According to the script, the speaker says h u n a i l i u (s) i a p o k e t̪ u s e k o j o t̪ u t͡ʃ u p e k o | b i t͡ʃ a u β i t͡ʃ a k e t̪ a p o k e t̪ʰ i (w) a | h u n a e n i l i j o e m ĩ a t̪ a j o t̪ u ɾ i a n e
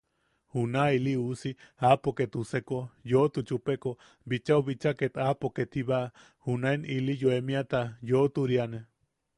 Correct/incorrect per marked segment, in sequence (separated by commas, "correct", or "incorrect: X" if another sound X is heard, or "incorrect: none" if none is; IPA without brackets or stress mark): correct, incorrect: β